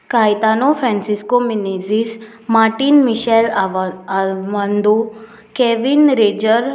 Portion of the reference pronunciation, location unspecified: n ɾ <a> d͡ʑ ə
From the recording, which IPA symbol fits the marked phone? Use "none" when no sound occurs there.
e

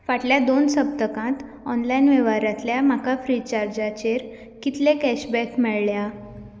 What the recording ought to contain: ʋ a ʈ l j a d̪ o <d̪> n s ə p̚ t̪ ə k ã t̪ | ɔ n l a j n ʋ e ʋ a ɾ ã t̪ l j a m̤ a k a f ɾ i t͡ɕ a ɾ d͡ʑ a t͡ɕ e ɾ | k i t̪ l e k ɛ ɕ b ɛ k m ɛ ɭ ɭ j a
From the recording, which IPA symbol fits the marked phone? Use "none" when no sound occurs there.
none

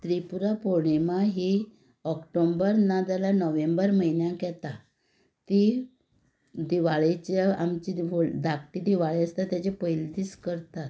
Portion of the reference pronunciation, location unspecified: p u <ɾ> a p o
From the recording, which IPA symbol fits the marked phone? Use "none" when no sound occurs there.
ɾ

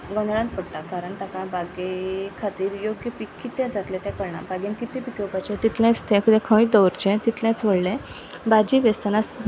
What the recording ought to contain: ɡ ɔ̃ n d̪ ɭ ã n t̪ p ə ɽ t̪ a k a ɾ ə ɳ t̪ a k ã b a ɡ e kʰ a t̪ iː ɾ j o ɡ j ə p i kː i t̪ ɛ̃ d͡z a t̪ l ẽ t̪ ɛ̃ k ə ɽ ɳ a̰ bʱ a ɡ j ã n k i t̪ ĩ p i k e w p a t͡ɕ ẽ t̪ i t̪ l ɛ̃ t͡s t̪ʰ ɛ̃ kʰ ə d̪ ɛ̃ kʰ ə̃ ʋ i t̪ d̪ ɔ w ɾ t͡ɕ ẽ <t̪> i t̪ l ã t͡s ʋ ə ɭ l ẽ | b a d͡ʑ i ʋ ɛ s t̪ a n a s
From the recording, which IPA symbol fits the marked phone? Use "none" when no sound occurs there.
t̪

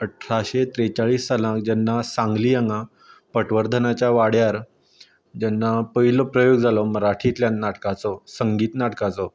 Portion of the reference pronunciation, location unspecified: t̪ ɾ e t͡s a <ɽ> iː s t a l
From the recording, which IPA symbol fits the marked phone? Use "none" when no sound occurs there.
ɭ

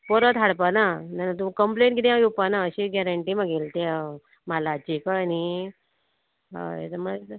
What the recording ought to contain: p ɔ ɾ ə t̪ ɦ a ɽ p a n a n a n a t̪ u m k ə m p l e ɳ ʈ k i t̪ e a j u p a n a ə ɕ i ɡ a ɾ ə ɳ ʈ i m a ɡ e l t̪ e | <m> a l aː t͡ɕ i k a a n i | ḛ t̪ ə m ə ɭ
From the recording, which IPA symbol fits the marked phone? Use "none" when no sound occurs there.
m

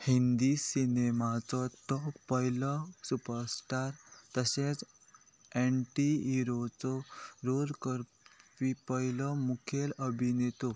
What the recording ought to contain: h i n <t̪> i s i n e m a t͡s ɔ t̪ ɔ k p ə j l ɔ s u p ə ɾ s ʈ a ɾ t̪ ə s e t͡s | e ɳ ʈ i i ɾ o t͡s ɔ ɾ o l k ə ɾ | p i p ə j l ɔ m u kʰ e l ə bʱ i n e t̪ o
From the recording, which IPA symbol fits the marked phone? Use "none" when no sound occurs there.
d̪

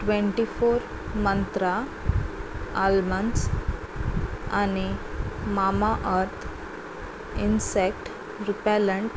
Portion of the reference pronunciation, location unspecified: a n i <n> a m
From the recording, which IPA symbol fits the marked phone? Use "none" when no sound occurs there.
m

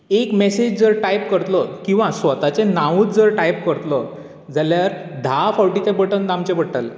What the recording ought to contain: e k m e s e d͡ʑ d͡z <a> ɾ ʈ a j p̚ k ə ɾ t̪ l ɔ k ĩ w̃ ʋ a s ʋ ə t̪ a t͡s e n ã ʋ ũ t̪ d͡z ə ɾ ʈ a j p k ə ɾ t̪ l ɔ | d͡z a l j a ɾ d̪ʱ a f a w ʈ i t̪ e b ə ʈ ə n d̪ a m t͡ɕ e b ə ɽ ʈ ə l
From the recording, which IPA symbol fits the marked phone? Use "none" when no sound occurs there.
ə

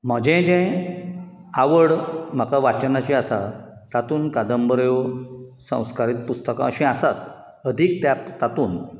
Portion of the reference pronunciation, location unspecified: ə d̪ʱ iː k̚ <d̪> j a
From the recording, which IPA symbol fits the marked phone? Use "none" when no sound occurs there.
t̪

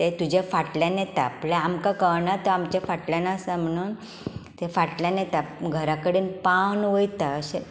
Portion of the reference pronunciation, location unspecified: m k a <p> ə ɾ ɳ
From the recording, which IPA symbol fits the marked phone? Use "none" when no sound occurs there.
k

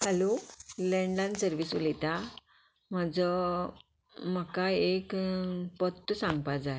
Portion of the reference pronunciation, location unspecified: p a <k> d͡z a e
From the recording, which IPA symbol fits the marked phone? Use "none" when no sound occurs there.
none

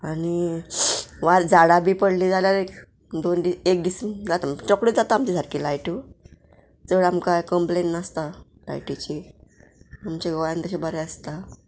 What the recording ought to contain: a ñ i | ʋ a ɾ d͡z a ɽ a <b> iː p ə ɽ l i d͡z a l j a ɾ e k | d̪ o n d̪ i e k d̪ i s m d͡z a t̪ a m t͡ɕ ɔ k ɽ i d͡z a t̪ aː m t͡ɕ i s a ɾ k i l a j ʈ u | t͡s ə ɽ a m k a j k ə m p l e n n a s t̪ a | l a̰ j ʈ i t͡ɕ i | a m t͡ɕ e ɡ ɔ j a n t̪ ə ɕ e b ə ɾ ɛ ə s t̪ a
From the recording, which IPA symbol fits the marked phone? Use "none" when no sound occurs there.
b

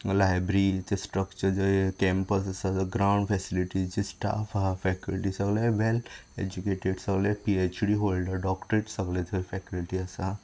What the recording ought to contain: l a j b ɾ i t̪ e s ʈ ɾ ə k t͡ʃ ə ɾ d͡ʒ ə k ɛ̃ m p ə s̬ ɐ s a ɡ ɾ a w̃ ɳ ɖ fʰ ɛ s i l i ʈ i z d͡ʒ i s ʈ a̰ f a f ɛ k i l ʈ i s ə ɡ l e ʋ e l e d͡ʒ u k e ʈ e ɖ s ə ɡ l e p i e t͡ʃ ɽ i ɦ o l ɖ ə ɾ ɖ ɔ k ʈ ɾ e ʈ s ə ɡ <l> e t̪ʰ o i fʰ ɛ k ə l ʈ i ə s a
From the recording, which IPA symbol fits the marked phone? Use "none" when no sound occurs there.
l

